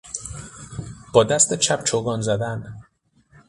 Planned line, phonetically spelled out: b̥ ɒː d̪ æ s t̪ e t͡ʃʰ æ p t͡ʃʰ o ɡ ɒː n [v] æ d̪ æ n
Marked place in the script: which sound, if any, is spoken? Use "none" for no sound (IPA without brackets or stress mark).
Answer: z